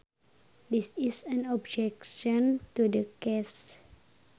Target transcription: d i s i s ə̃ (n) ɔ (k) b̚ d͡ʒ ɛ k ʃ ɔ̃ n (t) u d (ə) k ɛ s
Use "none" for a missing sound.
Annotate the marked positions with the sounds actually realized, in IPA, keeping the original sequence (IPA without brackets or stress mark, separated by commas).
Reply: n, none, t, ə